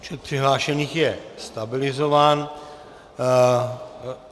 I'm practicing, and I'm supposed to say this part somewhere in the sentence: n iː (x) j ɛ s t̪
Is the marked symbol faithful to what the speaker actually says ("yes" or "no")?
yes